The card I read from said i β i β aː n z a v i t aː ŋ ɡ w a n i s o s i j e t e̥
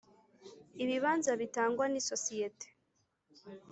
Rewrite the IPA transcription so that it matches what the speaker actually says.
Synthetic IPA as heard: i β i β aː n z a β i t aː ŋ ɡ w a n i s o s i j e t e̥